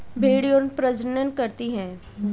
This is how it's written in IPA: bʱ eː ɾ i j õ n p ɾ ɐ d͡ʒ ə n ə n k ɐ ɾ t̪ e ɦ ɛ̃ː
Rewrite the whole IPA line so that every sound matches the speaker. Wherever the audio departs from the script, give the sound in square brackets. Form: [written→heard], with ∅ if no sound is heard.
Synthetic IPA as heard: bʱ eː [ɾ→ɽ] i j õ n p ɾ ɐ d͡ʒ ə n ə n k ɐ ɾ t̪ [e→i] ɦ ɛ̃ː